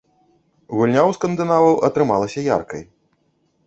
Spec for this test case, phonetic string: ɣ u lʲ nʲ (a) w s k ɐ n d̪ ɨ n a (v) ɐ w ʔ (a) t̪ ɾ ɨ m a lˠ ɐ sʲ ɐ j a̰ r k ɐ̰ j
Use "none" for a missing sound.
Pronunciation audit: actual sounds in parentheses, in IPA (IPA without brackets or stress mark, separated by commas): a, v, ɐ